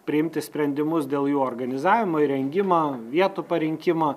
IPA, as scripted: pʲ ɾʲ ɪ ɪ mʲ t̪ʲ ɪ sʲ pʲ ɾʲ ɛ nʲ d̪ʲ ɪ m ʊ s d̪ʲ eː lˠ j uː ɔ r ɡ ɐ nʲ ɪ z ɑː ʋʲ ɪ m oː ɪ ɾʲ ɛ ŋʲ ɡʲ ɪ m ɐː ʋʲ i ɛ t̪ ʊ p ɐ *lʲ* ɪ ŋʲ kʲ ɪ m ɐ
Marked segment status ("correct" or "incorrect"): incorrect